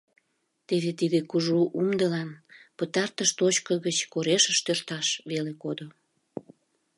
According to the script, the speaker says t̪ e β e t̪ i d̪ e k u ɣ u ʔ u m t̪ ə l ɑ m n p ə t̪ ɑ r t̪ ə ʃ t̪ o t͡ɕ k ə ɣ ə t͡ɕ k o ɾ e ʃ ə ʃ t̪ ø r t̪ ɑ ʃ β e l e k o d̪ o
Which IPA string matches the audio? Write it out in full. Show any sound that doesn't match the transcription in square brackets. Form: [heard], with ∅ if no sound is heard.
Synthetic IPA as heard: t̪ e β e t̪ i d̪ e k u [ʒ] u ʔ u m [d̪] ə l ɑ [∅] n p ə t̪ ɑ r t̪ ə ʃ t̪ o t͡ɕ k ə ɣ ə t͡ɕ k o ɾ e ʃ ə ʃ t̪ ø r t̪ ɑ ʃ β e l e k o d̪ o